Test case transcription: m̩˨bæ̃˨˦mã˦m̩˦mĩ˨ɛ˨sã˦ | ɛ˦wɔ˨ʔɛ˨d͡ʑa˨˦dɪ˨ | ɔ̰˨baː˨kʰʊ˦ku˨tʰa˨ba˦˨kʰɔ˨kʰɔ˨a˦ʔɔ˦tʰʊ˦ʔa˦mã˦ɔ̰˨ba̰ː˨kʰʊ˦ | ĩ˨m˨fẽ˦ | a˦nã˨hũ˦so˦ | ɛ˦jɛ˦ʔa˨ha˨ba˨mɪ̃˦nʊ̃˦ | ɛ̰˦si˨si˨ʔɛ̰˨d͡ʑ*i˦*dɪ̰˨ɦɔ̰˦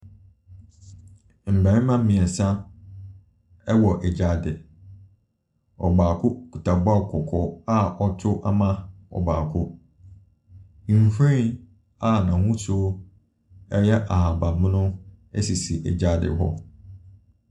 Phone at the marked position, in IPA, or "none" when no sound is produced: a˦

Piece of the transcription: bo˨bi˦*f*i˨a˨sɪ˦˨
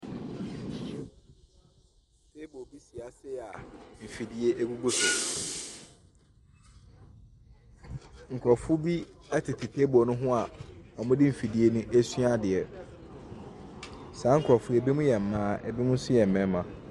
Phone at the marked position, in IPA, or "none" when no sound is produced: s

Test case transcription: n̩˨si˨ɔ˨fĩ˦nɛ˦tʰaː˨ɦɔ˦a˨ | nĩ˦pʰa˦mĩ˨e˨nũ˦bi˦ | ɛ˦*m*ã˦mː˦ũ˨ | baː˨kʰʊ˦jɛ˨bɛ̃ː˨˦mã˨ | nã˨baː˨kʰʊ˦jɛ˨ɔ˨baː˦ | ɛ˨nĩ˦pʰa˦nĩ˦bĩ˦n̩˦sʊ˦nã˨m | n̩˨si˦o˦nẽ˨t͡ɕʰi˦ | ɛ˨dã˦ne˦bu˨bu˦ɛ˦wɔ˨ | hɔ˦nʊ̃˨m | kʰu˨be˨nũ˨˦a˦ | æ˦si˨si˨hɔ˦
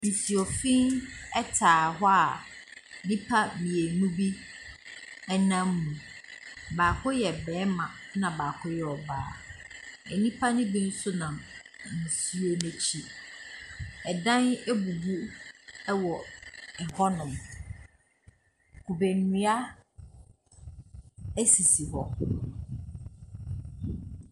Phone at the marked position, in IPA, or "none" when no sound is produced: n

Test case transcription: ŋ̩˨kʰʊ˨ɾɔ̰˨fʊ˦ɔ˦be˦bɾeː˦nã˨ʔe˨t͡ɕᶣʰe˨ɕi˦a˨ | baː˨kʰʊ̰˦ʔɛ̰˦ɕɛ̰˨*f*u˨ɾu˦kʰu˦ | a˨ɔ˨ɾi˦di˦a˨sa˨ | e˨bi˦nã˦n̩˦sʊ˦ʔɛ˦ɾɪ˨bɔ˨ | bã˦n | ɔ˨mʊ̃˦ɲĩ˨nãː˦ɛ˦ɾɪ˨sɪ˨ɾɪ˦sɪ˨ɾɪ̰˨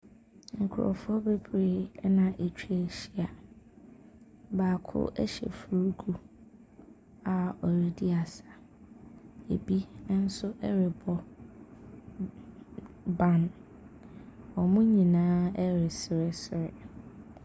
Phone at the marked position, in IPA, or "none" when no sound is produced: f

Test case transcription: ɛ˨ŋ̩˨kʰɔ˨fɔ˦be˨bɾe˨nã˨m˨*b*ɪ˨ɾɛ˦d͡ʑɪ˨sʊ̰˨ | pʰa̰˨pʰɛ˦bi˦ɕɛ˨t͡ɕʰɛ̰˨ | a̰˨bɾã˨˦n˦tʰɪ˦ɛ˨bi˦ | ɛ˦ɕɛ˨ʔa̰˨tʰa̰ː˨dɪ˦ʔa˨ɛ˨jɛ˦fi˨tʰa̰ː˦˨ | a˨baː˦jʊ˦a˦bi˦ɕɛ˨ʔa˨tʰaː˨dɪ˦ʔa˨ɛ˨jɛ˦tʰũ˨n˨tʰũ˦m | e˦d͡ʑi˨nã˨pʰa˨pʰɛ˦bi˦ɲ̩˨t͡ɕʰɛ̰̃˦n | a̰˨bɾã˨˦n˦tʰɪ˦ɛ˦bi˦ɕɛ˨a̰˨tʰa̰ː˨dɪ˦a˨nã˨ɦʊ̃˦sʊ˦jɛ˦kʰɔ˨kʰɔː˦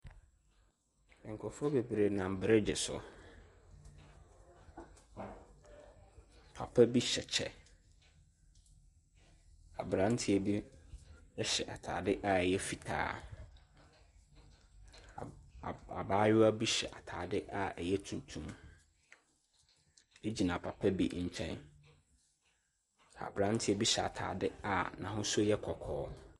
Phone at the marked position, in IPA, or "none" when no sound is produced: b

